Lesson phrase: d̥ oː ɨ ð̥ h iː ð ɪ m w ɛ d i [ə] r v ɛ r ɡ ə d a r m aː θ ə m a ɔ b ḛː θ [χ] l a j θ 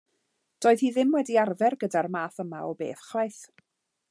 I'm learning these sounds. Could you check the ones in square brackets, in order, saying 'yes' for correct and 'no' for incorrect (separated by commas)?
no, yes